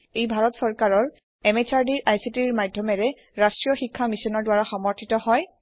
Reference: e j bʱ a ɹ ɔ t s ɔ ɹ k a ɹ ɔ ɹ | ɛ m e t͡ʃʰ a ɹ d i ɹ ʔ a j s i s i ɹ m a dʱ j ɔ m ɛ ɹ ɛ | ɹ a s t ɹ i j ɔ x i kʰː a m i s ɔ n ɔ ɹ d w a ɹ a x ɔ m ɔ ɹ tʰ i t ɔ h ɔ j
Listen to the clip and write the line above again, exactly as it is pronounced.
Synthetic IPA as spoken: e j bʱ a ɹ ɔ t s ɔ ɹ k a ɹ ɔ ɹ | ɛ m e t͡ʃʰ a ɹ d i ɹ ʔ a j s i t i ɹ m a dʱ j ɔ m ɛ ɹ ɛ | ɹ a s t ɹ i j ɔ x i kʰː a m i s ɔ n ɔ ɹ d w a ɹ a x ɔ m ɔ ɹ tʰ i t ɔ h ɔ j